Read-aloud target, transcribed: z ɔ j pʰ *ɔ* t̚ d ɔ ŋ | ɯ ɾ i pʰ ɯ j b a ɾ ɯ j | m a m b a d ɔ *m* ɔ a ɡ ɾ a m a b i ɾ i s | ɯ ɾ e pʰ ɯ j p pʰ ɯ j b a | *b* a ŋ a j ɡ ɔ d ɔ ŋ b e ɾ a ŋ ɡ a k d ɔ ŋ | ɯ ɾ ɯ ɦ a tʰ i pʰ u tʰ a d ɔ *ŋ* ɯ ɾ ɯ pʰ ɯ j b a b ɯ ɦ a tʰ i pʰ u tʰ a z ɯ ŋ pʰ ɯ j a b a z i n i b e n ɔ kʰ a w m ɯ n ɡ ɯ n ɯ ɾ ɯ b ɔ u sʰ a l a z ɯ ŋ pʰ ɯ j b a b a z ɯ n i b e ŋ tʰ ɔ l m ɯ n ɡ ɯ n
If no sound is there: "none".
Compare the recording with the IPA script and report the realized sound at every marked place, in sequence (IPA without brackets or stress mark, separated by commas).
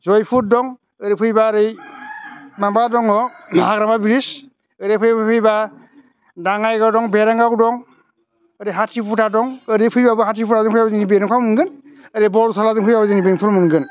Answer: u, ŋ, d, ŋ